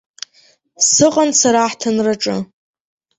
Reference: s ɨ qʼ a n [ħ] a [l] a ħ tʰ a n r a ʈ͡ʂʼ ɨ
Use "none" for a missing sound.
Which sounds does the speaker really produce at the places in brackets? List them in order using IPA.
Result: s, ɾ

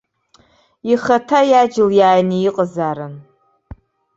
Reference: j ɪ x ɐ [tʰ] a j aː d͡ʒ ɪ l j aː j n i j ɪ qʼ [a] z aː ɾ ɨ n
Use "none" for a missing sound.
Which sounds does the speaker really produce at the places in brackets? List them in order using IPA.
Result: tʰ, ə

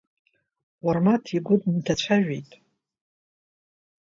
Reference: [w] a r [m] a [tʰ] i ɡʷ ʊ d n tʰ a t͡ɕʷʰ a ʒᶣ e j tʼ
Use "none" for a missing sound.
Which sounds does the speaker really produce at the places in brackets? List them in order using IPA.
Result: w, m, tʰ

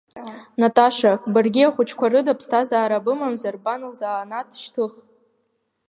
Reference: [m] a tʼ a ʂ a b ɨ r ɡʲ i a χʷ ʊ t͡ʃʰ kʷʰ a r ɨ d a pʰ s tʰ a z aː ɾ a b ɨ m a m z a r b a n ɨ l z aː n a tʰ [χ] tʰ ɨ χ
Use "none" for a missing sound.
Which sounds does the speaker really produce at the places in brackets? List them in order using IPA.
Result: n, ʃ

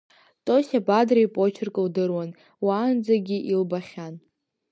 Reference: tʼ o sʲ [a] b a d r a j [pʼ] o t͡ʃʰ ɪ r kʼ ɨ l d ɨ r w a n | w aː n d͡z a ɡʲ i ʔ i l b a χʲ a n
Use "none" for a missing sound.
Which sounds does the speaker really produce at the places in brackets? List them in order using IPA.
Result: a, pʼ

